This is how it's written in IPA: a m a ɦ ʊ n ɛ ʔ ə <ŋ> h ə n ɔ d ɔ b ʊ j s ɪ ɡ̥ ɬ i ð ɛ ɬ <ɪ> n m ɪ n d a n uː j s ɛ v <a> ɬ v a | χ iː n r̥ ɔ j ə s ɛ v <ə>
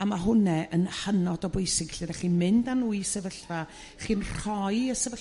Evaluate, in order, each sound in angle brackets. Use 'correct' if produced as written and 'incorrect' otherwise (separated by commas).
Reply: incorrect, incorrect, incorrect, correct